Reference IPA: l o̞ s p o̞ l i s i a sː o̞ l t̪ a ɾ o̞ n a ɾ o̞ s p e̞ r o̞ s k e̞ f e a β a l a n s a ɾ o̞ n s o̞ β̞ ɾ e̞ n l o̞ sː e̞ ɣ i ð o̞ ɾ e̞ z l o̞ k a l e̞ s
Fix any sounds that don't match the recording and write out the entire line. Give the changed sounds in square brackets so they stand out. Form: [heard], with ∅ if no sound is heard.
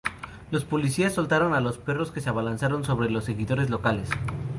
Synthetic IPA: l o̞ s p o̞ l i s i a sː o̞ l t̪ a ɾ o̞ n a [l] o̞ s p e̞ r o̞ s k e̞ [s] e a β a l a n s a ɾ o̞ n s o̞ β̞ ɾ e̞ [∅] l o̞ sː e̞ ɣ i ð o̞ ɾ e̞ z l o̞ k a l e̞ s